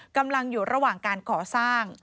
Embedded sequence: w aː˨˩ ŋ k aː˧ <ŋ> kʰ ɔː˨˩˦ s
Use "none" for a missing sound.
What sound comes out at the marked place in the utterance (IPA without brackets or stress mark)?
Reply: n